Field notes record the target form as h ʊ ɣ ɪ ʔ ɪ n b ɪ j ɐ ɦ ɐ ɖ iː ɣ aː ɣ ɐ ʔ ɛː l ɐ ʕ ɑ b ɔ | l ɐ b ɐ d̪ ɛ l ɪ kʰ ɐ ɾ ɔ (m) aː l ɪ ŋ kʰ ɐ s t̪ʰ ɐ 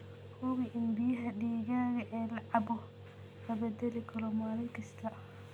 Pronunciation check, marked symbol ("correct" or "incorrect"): correct